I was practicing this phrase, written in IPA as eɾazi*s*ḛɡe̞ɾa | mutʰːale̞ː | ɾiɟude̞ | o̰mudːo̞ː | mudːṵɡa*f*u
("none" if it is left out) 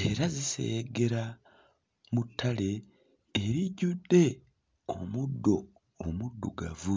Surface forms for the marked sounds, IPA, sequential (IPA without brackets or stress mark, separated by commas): s, v